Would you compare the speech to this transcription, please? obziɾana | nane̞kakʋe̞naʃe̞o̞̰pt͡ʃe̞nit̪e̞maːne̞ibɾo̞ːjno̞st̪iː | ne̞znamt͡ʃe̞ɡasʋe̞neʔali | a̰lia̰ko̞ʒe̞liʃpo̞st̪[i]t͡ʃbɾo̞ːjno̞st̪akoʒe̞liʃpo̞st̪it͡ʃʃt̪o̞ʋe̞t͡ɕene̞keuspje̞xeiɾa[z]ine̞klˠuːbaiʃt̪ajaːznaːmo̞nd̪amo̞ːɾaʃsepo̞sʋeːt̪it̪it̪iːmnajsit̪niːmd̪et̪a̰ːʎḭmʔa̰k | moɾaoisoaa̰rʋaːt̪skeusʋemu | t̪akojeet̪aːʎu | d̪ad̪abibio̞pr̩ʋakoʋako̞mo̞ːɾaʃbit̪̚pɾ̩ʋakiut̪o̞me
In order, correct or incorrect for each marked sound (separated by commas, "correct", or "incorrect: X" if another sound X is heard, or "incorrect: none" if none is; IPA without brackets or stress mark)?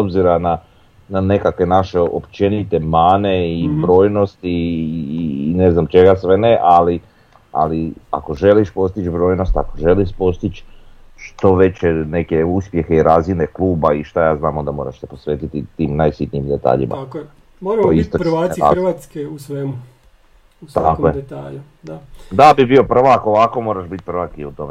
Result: correct, correct